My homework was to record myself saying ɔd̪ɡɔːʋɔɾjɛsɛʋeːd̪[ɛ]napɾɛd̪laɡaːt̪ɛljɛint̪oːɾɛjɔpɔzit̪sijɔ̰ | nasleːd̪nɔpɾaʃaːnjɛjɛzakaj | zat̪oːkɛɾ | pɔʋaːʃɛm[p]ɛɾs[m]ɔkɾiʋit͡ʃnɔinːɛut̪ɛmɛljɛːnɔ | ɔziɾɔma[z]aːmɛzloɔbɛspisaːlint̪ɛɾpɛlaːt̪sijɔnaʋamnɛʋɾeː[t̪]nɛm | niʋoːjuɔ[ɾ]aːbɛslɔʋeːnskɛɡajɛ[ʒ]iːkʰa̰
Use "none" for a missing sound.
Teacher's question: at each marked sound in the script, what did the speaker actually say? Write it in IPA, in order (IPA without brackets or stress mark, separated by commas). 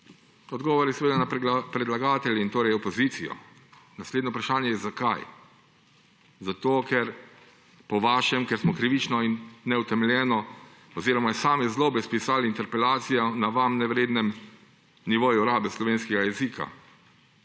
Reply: a, k, m, s, d̪, ɾ, z